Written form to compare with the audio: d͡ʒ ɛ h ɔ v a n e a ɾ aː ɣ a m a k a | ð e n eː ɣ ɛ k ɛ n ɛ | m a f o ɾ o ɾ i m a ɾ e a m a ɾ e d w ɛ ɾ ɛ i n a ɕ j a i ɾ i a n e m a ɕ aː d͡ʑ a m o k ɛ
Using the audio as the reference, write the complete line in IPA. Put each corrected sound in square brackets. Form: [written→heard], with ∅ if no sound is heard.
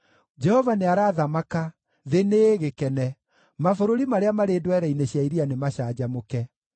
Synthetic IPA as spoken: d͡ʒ ɛ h ɔ v a n e a ɾ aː [ɣ→ð] a m a k a | ð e n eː ɣ [ɛ→e] k ɛ n ɛ | m a f o ɾ o ɾ i m a ɾ e a m a ɾ e d w ɛ ɾ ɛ i n [a→e] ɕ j a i ɾ i a n e m a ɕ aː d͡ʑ a m o k ɛ